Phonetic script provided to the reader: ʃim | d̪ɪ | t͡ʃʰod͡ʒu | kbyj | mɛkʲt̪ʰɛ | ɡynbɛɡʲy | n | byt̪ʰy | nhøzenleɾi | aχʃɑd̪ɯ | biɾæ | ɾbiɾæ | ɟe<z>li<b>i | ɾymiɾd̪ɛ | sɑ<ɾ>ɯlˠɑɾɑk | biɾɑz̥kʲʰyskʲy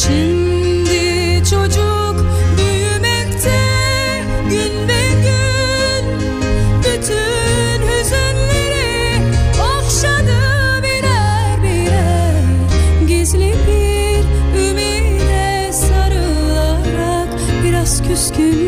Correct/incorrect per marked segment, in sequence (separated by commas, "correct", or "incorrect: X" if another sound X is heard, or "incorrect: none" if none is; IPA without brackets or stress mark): correct, correct, correct